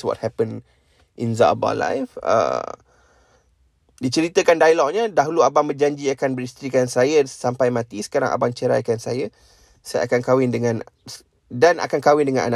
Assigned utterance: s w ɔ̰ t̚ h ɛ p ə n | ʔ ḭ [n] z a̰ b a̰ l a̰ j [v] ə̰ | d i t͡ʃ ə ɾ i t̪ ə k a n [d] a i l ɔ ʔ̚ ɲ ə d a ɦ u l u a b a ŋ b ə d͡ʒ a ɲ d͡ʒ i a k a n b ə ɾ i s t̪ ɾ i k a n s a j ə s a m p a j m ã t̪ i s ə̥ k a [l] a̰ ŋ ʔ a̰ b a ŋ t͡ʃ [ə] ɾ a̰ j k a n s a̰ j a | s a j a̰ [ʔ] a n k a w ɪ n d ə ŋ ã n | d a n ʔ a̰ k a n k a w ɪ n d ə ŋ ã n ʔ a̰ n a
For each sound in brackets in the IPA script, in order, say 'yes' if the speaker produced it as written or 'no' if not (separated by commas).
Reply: yes, no, yes, no, yes, no